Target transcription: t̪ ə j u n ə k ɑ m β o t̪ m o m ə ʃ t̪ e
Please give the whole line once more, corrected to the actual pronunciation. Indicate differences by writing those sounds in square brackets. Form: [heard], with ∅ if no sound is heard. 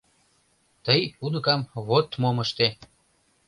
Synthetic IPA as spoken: t̪ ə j u n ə k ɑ m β o t̪ m o m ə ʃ t̪ e